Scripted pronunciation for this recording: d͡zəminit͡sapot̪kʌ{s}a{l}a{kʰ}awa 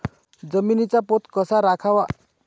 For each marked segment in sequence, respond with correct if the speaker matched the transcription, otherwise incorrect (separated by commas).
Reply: correct, incorrect, correct